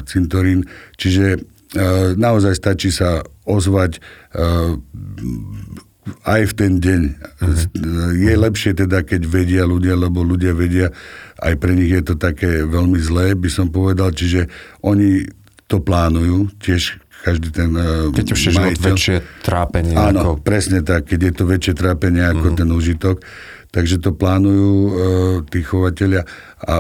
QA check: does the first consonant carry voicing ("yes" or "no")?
no